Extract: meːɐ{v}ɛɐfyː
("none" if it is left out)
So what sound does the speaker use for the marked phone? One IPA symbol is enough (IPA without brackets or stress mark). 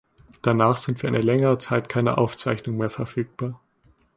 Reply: f